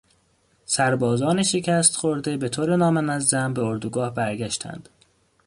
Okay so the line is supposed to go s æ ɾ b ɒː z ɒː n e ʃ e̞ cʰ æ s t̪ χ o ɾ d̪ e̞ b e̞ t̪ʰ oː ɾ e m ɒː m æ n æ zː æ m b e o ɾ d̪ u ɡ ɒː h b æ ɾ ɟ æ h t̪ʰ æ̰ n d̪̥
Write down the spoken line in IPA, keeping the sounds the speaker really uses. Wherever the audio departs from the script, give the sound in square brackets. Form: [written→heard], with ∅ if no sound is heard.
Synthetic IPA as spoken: s æ ɾ b ɒː z ɒː n e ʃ e̞ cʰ æ s t̪ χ o ɾ d̪ e̞ b e̞ t̪ʰ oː ɾ e [m→n] ɒː m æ n æ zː æ m b e o ɾ d̪ u ɡ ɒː h b æ ɾ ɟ æ [h→ʃ] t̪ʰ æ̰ n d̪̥